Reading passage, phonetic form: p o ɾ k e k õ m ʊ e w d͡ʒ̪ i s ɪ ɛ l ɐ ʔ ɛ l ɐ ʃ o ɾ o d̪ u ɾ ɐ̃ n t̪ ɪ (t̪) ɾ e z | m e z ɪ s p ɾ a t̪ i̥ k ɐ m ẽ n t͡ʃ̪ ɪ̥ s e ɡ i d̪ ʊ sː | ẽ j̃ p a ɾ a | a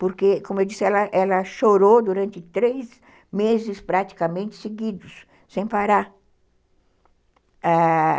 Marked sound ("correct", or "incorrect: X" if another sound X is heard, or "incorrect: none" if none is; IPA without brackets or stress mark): correct